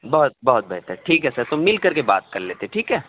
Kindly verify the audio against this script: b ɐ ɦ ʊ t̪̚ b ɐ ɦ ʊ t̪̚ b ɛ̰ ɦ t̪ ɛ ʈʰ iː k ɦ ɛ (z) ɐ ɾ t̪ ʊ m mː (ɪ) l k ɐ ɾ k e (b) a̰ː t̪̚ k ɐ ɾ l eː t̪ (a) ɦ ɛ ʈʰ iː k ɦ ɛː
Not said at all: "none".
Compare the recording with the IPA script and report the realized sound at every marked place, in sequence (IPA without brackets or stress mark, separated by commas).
s, ɪ, b, e